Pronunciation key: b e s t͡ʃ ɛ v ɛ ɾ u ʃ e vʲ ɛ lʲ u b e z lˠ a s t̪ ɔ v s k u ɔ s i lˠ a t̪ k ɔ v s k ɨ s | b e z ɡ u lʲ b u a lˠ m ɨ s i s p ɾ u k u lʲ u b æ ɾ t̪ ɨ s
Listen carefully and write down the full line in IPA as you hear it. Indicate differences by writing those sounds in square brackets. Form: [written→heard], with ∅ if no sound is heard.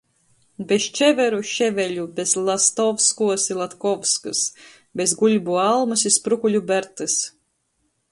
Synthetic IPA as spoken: b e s t͡ʃ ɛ v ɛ ɾ u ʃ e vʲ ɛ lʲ u b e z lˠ a s t̪ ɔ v s k u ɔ s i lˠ a t̪ k ɔ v s k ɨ s | b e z ɡ u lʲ b u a lˠ m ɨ s i s p ɾ u k u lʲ u b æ ɾ t̪ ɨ s